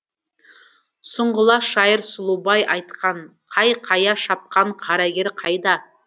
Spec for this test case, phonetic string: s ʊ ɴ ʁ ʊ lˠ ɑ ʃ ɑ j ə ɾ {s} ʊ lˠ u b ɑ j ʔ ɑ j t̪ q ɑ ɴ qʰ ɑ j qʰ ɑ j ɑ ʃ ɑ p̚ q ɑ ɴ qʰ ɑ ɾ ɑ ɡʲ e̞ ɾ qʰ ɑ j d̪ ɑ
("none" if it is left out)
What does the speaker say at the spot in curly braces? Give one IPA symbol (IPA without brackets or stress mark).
s